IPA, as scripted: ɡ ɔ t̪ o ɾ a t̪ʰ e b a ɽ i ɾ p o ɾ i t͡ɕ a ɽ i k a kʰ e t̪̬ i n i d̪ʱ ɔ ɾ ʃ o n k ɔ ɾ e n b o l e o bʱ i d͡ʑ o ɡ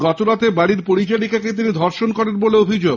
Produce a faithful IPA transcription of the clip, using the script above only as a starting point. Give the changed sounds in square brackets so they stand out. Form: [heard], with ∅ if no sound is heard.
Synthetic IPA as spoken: ɡ ɔ t̪ o ɾ a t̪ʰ e b a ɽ i ɾ p o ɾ i t͡ɕ a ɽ i k a [k] e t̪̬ i n i d̪ʱ ɔ ɾ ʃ o n k ɔ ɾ e n b o l e o bʱ i d͡ʑ o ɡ